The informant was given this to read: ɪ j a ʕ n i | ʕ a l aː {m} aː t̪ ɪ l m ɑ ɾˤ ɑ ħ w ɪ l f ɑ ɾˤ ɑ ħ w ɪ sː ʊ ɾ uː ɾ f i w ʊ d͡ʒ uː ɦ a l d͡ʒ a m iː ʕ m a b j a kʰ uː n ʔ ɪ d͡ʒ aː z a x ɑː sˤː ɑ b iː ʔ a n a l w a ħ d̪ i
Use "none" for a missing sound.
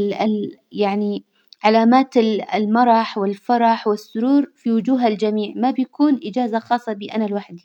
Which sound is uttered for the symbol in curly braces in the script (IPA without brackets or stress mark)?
m